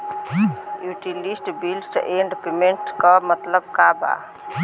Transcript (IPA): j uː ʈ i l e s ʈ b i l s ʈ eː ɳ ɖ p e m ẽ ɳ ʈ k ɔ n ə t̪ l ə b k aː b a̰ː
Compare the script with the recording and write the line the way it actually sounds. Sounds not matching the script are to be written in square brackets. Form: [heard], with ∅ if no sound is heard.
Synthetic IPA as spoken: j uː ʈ i l [i] s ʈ b i l s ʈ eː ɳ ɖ p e m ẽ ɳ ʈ k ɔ [m] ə t̪ l ə b k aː b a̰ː

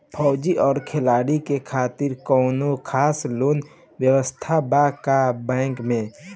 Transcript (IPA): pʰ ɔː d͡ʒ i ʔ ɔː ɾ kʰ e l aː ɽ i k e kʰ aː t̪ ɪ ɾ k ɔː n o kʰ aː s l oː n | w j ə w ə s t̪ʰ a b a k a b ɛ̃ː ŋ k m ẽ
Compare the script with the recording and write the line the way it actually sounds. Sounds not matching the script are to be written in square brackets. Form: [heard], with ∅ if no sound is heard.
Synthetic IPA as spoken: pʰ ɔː d͡ʒ i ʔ ɔː ɾ kʰ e l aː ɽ i k e kʰ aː t̪ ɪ ɾ k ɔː n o kʰ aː s l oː n | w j ə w ə s t̪ʰ a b a k a b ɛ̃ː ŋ k m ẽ

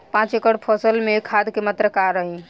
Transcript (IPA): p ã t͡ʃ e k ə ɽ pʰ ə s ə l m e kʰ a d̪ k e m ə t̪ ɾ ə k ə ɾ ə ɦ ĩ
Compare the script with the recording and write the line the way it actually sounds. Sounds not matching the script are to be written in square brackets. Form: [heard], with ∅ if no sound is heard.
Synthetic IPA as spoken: p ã t͡ʃ e k ə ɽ pʰ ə s ə l m e kʰ a d̪ k e m ə t̪ ɾ ə k [a] ɾ ə ɦ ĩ

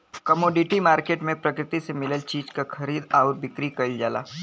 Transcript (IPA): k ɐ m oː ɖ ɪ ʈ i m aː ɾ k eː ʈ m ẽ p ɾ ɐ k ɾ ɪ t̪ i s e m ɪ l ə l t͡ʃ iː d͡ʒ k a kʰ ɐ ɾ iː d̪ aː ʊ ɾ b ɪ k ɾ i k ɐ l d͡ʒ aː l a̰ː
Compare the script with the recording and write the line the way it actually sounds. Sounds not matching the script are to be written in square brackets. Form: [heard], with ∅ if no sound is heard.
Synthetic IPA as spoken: k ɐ m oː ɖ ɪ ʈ i m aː ɾ k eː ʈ m ẽ p ɾ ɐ k ɾ ɪ t̪ i s e m ɪ l ə l t͡ʃ iː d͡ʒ k a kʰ ɐ ɾ iː d̪ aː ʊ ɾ b ɪ k ɾ i k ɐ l d͡ʒ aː l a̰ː

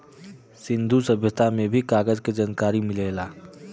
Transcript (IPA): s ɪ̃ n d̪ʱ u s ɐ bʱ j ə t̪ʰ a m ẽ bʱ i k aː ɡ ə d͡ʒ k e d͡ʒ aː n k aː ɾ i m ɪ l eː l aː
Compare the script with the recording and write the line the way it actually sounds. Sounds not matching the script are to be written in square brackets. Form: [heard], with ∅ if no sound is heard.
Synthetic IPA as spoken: s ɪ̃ n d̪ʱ u s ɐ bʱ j ə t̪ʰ a m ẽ bʱ i k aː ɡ ə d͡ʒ k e d͡ʒ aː n k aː ɾ i m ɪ l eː l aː

